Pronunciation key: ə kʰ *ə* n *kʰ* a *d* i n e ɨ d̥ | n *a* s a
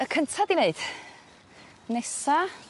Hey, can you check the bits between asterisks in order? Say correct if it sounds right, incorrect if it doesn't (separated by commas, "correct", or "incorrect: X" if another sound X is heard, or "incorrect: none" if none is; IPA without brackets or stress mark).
correct, incorrect: tʰ, correct, incorrect: ɛ